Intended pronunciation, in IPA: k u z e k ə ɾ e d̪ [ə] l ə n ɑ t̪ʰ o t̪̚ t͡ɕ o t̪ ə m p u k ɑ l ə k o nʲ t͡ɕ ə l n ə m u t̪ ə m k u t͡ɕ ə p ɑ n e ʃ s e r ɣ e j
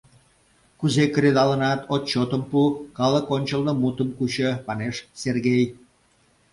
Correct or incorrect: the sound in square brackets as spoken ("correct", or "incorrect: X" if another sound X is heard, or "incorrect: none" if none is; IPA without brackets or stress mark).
incorrect: ɑ